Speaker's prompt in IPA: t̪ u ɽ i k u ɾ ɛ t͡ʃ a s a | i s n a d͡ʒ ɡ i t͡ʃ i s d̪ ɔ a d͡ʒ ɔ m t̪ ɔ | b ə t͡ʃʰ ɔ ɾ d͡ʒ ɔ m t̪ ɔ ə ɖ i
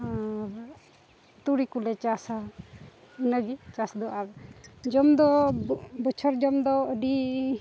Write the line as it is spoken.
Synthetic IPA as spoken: t̪ u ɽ i k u l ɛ t͡ʃ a s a | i n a ɡ i t͡ʃ a s d̪ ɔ a d͡ʒ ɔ m d̪ ɔ | b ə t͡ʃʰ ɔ ɾ d͡ʒ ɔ m d̪ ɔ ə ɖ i